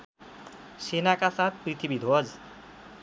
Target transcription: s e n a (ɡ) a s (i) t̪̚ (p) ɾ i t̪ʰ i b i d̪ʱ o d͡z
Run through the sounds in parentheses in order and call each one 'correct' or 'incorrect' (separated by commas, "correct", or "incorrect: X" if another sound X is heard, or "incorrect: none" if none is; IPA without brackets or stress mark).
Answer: incorrect: k, incorrect: a, correct